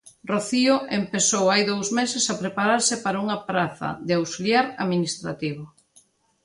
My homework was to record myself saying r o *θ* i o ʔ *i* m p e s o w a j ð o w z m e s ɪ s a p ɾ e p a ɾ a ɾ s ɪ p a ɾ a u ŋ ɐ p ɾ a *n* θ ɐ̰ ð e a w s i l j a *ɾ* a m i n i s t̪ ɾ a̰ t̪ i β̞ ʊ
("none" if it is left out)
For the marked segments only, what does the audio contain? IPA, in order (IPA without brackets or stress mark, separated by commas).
θ, e, none, ɾ